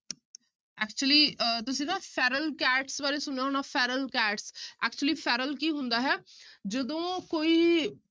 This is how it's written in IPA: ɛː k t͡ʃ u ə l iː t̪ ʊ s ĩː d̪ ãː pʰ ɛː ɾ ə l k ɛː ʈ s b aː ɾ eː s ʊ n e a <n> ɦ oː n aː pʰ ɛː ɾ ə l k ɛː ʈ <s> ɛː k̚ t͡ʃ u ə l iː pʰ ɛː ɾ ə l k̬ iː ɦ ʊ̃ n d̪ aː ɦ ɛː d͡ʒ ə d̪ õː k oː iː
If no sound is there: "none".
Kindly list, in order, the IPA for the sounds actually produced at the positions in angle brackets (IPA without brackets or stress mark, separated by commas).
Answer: none, s